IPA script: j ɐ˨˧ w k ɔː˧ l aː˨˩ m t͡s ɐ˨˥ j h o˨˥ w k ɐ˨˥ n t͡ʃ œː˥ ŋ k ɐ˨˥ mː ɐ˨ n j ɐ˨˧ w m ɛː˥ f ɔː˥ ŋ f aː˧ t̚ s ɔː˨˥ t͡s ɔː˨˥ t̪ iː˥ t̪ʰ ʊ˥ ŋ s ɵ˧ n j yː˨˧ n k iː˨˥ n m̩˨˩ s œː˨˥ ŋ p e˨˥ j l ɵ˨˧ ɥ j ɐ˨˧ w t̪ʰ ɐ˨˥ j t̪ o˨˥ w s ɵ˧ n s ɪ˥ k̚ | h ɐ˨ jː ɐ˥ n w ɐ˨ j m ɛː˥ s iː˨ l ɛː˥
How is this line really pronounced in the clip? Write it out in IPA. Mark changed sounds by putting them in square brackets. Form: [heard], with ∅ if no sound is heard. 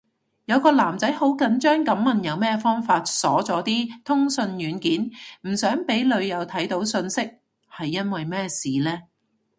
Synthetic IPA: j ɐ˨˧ w k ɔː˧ l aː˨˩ m t͡s ɐ˨˥ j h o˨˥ w k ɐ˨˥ n t͡ʃ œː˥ ŋ k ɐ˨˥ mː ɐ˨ n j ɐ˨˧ w m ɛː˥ f ɔː˥ ŋ f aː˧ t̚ s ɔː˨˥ t͡s ɔː˨˥ t̪ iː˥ t̪ʰ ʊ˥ ŋ s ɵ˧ n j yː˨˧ n k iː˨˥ n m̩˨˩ s œː˨˥ ŋ p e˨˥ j l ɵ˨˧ ɥ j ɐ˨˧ w t̪ʰ ɐ˨˥ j t̪ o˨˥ w s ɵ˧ n s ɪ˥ k̚ | h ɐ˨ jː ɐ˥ n w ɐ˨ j m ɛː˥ s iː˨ l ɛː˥